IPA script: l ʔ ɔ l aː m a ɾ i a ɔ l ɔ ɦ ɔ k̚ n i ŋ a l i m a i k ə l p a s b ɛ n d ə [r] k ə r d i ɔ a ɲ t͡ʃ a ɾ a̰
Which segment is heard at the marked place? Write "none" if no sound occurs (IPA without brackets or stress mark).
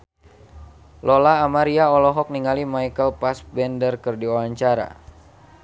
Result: r